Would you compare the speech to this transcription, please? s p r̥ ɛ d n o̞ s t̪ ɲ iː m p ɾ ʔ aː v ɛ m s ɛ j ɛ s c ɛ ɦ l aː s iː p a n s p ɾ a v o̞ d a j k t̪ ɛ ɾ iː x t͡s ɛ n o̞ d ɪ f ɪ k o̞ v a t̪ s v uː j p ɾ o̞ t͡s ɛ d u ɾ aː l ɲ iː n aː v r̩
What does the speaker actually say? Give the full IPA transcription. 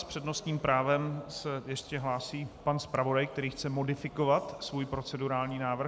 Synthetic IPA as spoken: s p r̥ ɛ d n o̞ s t̪ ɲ iː m p ɾ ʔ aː v ɛ m s ɛ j ɛ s c ɛ ɦ l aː s iː p a n s p ɾ a v o̞ d a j k t̪ ɛ ɾ iː x t͡s ɛ m o̞ d ɪ f ɪ k o̞ v a t̪ s v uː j p ɾ o̞ t͡s ɛ d u ɾ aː l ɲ iː n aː v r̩